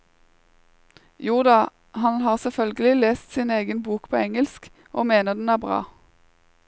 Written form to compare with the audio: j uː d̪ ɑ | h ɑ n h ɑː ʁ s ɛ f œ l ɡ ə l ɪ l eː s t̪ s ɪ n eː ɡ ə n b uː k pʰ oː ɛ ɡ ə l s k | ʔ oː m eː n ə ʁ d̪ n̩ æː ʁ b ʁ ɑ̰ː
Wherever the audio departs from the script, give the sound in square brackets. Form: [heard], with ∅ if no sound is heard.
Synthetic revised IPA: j uː d̪ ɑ | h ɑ n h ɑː ʁ s ɛ f œ l ɡ ə l ɪ l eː s t̪ s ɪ n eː ɡ ə n b uː k pʰ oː ɛ [ŋ] ə l s k | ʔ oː m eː n ə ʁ d̪ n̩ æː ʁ b ʁ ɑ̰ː

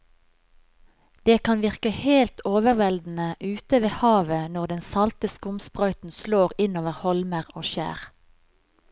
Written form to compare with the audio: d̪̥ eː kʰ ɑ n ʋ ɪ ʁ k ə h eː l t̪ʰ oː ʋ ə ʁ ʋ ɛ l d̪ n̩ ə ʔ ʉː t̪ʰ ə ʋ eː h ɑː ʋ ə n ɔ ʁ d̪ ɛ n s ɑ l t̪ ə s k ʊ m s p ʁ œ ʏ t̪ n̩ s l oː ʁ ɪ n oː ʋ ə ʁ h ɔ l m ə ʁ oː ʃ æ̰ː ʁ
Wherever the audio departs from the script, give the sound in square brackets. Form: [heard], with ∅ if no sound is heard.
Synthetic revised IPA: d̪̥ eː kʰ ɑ n ʋ ɪ ʁ k ə h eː l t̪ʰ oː ʋ ə ʁ ʋ ɛ l d̪ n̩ ə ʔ ʉː [t̪] ə ʋ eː h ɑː ʋ ə n ɔ ʁ d̪ ɛ n s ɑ l t̪ ə s k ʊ m s p ʁ œ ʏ t̪ n̩ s l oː ʁ ɪ n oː ʋ ə ʁ h ɔ l m ə ʁ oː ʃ æ̰ː ʁ

